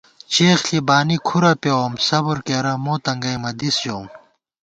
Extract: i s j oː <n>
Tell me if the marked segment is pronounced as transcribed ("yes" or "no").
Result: no